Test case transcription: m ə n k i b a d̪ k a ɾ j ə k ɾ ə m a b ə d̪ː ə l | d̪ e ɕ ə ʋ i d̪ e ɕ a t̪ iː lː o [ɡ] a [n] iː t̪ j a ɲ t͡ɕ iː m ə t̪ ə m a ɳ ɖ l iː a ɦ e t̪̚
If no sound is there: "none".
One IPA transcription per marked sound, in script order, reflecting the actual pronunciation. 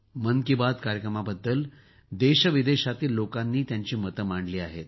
k, nː

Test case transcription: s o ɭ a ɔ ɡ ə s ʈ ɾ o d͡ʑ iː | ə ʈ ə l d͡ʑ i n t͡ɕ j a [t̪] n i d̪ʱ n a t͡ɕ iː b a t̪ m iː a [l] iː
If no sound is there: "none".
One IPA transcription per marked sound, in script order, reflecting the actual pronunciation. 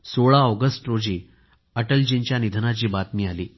none, l

